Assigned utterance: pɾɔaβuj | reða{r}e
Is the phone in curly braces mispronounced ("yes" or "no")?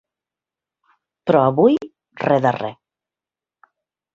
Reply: no